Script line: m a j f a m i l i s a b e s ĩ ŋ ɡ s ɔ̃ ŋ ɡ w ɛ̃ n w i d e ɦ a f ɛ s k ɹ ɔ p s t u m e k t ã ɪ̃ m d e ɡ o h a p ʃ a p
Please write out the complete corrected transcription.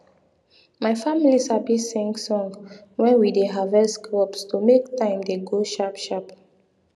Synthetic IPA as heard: m a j f a m i l i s a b i s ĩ ŋ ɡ s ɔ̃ ŋ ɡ w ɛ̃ n w i d e ɦ a v ɛ s k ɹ ɔ p s t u m e k t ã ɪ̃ m d e ɡ o ʃ a p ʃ a p